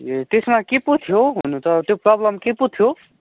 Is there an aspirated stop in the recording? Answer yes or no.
yes